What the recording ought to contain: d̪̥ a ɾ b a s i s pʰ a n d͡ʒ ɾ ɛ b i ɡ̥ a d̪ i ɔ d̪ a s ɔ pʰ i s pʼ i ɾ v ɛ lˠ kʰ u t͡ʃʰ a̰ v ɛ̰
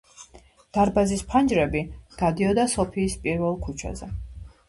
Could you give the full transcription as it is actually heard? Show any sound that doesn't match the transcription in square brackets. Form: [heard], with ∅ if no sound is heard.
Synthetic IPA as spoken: d̪̥ a ɾ b a [z] i s pʰ a n d͡ʒ ɾ ɛ b i ɡ̥ a d̪ i ɔ d̪ a s ɔ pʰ [iː] s pʼ i ɾ v ɛ lˠ kʰ u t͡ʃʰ a̰ [z] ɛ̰